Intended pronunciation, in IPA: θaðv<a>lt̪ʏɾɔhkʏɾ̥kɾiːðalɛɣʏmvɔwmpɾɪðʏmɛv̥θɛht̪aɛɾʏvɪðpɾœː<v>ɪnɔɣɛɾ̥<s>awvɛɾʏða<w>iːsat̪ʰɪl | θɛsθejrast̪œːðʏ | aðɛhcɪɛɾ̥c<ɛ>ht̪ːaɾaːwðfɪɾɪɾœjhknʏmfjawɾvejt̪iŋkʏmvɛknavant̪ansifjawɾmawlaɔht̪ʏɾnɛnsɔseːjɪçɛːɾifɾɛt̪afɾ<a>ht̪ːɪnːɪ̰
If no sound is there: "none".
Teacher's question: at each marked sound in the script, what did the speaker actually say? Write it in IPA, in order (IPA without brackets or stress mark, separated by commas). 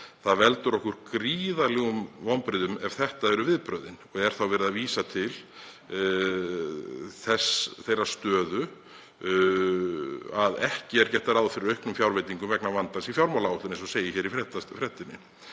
ɛ, ð, θ, v, ɛ, ɛ